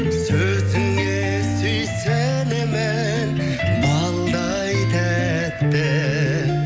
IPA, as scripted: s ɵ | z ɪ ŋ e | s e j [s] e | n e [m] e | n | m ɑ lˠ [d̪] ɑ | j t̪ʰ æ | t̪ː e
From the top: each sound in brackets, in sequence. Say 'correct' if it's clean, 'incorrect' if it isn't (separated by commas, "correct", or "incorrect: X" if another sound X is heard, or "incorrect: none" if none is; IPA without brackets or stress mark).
correct, correct, correct